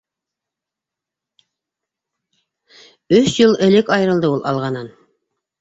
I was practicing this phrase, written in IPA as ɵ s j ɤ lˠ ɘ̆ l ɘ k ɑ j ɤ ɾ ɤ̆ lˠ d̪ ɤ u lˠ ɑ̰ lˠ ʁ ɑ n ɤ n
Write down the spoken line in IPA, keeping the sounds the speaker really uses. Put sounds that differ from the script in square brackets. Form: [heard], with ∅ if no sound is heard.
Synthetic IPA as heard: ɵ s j ɤ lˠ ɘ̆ l ɘ k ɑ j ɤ ɾ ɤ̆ lˠ d̪ ɤ u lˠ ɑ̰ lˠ ʁ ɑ n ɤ n